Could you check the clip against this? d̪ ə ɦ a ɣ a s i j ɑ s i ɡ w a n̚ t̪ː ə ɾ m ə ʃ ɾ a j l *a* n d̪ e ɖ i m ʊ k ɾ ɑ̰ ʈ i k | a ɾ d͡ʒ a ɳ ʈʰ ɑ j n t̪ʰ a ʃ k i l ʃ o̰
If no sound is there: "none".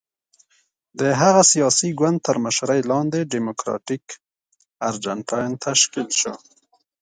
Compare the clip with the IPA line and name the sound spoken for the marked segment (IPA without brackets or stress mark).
ɑ